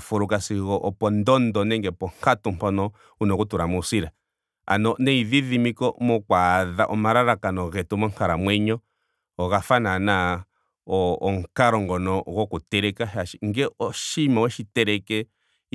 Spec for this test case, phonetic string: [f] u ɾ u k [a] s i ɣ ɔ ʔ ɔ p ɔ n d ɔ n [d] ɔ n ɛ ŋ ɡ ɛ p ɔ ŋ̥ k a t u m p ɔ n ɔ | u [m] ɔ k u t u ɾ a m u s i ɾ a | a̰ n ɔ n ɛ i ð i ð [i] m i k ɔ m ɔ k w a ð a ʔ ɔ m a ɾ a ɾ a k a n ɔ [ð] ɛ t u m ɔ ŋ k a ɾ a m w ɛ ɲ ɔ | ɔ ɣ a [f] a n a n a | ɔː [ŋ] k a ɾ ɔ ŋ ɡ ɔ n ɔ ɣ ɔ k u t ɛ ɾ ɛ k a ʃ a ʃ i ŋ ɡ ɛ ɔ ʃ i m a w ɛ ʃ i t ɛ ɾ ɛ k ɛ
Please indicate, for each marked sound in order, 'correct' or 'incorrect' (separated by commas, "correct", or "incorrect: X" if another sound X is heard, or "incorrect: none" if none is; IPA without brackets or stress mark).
correct, correct, correct, incorrect: n, correct, incorrect: ɣ, correct, correct